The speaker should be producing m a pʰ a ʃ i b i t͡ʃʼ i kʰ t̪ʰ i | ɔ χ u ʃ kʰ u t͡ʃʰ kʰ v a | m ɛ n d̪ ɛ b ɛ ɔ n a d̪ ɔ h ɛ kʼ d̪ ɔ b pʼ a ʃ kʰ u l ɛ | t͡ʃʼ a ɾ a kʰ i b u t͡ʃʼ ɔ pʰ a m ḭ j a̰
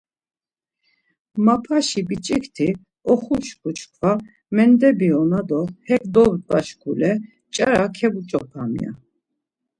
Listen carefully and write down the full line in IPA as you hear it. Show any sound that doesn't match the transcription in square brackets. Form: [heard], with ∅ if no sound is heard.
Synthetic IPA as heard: m a pʰ a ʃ i b i t͡ʃʼ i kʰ t̪ʰ i | ɔ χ u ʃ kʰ u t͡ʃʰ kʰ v a | m ɛ n d̪ ɛ b [i] ɔ n a d̪ ɔ h ɛ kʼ d̪ ɔ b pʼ a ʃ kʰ u l ɛ | t͡ʃʼ a ɾ a kʰ [ɛ] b u t͡ʃʼ ɔ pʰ a m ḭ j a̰